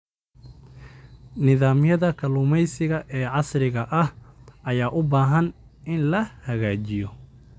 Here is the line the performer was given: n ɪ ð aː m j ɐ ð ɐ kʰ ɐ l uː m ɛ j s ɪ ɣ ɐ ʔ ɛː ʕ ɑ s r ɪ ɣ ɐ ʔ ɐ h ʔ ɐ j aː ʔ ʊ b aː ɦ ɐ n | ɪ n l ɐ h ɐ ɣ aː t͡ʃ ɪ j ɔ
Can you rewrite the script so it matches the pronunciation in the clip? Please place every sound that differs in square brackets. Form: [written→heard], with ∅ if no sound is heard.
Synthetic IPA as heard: n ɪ ð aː m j ɐ ð ɐ kʰ ɐ l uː m ɛ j s ɪ ɣ ɐ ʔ ɛː ʕ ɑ s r ɪ ɣ ɐ ʔ ɐ h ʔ ɐ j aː ʔ ʊ b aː ɦ ɐ n | ɪ n l ɐ h ɐ ɣ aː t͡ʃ ɪ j ɔ